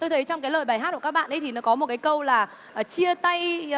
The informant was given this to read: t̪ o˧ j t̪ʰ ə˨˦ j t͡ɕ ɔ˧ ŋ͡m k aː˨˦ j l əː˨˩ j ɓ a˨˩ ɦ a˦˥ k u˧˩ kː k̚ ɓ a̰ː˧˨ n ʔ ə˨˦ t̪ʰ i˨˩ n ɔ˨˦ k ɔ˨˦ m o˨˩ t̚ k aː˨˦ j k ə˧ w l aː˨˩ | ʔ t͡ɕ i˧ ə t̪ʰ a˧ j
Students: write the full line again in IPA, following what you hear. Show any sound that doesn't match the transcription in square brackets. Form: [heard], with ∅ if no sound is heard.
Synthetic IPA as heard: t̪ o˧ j t̪ʰ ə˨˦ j t͡ɕ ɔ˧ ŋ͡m k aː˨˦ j l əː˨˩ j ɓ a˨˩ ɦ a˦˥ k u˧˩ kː k̚ ɓ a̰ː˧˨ n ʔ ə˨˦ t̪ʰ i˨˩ n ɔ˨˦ k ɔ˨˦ m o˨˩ t̚ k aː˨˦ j k ə˧ w l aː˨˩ | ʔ t͡ɕ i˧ ə [t̪] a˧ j